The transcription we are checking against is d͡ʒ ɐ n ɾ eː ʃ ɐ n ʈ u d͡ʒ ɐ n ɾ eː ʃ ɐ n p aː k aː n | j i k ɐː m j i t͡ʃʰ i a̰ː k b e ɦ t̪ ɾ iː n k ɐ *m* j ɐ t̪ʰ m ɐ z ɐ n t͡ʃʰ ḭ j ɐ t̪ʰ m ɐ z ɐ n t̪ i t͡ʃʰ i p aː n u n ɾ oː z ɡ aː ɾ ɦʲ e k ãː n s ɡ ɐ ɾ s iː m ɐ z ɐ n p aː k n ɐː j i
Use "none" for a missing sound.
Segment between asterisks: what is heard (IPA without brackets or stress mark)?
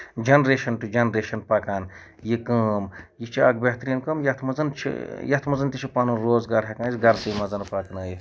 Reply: m